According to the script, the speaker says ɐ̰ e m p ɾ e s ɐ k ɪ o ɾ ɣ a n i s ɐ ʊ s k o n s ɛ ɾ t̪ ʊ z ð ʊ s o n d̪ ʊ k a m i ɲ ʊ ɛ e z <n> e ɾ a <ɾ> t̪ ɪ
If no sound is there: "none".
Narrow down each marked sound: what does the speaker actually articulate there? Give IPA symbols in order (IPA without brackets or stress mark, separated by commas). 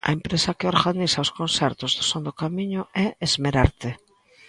m, ɾ